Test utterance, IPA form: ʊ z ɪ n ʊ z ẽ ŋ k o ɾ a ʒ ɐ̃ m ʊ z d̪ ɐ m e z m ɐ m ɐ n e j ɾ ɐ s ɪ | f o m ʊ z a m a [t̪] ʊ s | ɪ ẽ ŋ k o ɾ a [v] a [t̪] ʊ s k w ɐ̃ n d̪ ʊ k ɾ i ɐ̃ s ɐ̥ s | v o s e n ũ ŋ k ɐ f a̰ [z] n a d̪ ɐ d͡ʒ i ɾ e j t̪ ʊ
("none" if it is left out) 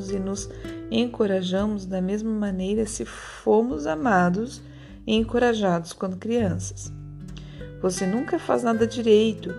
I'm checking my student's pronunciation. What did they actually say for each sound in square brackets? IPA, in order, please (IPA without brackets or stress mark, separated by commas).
d̪, ʒ, d̪, z